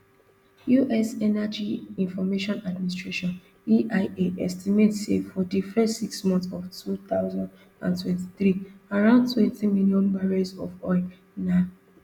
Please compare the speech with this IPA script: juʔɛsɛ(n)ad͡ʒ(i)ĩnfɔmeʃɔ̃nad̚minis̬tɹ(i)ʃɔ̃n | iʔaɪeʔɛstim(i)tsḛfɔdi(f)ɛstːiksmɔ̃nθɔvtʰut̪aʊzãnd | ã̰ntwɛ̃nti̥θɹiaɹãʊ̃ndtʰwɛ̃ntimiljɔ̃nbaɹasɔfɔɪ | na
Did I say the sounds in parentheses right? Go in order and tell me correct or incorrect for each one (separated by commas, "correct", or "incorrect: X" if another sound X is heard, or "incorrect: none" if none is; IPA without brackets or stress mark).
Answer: correct, correct, incorrect: e, incorrect: e, correct